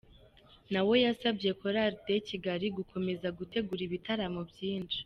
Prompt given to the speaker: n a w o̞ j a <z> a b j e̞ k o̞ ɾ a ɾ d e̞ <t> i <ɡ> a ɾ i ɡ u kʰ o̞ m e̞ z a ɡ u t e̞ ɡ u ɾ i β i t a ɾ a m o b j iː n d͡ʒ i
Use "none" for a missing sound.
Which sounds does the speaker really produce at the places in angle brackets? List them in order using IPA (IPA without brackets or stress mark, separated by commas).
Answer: s, c, ɡ